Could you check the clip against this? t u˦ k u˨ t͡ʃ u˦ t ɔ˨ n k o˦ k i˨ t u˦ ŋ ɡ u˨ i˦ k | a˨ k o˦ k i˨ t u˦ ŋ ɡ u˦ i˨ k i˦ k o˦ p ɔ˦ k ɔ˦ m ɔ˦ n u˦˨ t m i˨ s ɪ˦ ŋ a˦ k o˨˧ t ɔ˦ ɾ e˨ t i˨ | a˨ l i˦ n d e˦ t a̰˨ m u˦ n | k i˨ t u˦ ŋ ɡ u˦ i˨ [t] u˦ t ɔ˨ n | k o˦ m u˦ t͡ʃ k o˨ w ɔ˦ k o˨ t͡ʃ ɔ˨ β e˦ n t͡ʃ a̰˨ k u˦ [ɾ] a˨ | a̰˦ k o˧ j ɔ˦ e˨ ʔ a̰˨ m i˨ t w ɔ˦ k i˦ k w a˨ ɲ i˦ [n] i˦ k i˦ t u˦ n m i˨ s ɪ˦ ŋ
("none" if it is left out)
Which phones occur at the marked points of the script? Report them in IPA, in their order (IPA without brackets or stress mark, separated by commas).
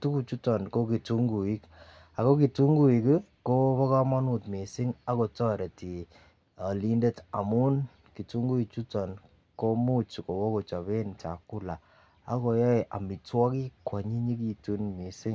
t͡ʃ, l, ɲ